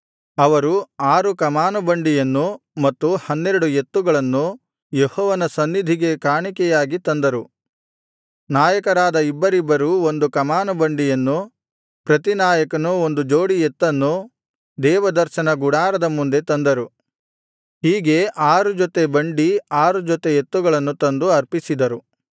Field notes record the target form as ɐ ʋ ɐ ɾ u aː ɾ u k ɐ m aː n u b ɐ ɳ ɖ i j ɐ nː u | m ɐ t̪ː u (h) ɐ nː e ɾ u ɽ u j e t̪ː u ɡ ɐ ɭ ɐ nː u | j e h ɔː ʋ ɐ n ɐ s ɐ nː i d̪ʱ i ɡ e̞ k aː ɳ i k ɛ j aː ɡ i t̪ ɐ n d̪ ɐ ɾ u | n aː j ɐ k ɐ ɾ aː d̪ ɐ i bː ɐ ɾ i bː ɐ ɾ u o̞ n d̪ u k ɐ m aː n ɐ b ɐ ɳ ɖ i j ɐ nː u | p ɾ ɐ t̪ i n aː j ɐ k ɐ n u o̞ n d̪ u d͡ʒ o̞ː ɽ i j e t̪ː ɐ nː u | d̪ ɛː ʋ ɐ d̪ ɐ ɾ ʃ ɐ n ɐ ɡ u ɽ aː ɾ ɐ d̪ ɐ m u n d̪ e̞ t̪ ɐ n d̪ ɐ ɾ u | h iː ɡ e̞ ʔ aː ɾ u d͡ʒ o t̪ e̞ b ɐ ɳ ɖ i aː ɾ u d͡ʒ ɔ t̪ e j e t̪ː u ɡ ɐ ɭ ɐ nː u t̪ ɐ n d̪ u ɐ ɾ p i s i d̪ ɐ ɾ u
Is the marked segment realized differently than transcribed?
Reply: no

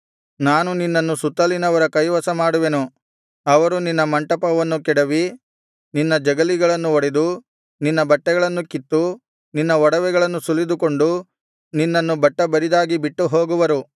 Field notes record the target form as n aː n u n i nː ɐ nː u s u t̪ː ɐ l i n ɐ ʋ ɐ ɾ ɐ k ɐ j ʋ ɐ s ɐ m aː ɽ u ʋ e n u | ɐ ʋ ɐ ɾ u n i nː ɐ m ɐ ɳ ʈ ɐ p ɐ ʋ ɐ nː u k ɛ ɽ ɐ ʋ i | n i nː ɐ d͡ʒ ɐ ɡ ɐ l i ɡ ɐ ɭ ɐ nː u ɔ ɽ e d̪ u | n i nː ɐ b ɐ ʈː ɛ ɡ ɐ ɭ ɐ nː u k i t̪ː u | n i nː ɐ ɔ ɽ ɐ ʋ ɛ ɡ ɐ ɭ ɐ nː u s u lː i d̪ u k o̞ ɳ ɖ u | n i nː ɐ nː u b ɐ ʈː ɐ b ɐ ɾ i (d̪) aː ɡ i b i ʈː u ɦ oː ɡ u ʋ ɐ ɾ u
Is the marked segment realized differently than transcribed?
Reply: no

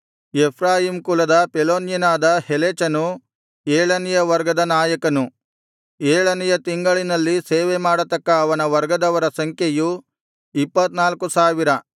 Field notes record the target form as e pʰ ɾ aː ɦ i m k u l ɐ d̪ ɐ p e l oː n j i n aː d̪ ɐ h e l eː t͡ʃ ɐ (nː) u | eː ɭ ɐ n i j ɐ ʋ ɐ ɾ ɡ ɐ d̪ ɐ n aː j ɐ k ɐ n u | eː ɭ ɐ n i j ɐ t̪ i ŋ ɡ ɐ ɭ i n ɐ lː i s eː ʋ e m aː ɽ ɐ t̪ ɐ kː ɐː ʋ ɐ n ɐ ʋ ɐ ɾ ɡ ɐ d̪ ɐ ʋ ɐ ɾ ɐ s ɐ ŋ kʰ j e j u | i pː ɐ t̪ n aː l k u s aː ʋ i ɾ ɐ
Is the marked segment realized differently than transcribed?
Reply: yes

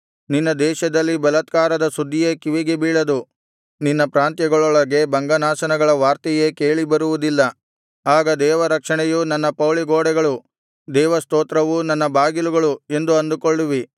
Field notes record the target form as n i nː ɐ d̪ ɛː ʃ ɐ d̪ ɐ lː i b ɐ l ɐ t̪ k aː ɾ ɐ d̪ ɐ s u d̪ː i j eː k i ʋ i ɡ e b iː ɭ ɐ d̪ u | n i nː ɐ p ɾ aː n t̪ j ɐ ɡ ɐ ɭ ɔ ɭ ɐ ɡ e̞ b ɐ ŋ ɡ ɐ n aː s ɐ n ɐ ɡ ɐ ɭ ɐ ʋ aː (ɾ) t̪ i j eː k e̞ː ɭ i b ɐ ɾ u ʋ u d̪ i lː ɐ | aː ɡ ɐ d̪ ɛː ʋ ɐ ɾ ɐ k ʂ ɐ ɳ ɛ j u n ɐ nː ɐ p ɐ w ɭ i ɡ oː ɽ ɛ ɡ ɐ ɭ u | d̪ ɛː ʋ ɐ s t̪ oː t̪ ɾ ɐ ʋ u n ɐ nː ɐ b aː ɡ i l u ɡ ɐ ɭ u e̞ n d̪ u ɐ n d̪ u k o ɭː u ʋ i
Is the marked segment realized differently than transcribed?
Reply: no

